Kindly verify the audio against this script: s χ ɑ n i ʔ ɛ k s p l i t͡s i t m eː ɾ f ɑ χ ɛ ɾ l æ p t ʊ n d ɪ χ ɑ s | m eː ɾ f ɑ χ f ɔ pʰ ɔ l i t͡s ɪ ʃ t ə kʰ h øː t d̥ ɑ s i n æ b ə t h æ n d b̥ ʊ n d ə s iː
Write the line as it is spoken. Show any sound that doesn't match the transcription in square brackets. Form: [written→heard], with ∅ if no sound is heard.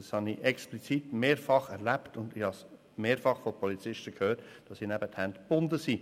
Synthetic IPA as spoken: s [χ→h] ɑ n i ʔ ɛ k s p l i t͡s i t m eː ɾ f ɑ χ ɛ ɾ l æ p t ʊ n d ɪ [χ→h] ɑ s | m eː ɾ f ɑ χ f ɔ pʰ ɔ l i t͡s ɪ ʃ t ə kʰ h øː t d̥ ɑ s i n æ b ə t h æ n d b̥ ʊ n d ə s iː